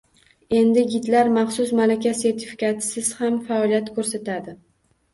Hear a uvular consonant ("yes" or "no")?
yes